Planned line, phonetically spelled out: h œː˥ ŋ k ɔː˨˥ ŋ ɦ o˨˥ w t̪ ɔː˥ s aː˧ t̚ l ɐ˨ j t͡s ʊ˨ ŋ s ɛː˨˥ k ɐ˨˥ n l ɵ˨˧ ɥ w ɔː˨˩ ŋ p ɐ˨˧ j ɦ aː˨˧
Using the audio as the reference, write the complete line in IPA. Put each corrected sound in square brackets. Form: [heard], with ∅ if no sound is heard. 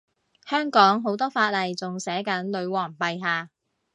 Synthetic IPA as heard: h œː˥ ŋ k ɔː˨˥ ŋ ɦ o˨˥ w t̪ ɔː˥ [f] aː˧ t̚ l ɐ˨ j t͡s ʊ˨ ŋ s ɛː˨˥ k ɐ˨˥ n l ɵ˨˧ ɥ w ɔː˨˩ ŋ p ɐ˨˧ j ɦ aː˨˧